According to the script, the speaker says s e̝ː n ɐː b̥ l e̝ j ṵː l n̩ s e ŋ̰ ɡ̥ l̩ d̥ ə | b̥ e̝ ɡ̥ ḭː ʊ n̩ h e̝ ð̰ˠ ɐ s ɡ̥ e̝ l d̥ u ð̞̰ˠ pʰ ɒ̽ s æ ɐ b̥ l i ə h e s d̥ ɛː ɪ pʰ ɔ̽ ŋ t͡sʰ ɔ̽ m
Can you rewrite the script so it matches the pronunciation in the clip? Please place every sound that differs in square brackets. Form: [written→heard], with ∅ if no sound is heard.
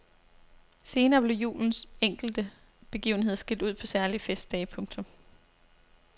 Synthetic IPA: s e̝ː n ɐː b̥ l e̝ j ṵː l n̩ s e ŋ̰ ɡ̥ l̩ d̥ ə | b̥ e̝ ɡ̥ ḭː ʊ n̩ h e̝ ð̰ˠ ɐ s ɡ̥ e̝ l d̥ u ð̞̰ˠ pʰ ɒ̽ s æ ɐ [b̥→∅] l i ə [h→f] e s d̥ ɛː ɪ pʰ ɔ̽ ŋ t͡sʰ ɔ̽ m